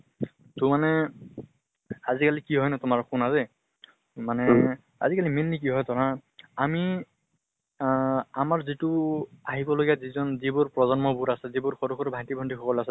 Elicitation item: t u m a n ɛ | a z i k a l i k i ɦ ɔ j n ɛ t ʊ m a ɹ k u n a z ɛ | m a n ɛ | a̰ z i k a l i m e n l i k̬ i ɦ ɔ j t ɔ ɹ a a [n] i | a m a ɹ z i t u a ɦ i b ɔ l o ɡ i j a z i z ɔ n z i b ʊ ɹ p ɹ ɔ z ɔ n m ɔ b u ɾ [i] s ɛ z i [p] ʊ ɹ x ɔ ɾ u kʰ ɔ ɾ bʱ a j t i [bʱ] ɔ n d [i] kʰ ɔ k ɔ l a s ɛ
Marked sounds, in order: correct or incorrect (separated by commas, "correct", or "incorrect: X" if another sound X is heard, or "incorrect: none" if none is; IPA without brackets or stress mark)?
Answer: incorrect: m, incorrect: a, incorrect: b, correct, correct